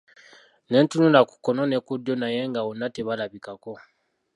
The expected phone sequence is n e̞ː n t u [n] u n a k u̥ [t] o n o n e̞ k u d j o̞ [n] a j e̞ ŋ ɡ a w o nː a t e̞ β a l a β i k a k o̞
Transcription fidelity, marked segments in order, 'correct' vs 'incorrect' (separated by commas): correct, incorrect, correct